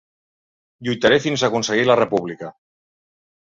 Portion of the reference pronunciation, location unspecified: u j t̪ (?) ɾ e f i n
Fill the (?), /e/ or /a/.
a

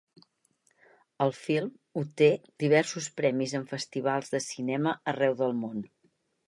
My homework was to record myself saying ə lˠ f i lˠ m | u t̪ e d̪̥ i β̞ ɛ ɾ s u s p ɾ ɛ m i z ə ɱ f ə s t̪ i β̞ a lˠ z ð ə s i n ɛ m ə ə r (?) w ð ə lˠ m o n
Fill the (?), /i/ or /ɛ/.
ɛ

